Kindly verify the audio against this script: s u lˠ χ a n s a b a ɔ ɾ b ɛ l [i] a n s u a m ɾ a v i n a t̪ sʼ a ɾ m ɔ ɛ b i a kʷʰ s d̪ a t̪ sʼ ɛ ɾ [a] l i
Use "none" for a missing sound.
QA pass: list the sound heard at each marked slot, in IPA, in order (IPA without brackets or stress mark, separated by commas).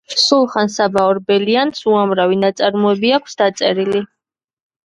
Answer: i, i